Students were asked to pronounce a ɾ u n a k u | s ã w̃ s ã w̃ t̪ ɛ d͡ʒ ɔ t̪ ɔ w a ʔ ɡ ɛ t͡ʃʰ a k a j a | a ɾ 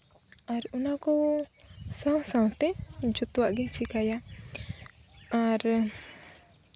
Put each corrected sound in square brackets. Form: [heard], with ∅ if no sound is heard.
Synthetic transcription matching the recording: a ɾ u n a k [ɔ] | s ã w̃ s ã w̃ t̪ ɛ d͡ʒ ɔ t̪ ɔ w a ʔ ɡ ɛ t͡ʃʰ [i] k a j a | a ɾ